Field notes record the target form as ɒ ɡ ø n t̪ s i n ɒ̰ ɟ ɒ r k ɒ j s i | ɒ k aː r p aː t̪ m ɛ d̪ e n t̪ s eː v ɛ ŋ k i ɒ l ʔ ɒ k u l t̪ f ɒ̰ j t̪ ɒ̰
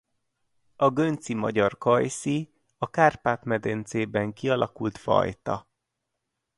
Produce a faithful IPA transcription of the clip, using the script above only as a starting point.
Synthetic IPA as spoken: ɒ ɡ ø n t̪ s i m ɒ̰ ɟ ɒ r k ɒ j s i | ɒ k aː r p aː t̪ m ɛ d̪ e n t̪ s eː b ɛ ŋ k i ɒ l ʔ ɒ k u l t̪ f ɒ̰ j t̪ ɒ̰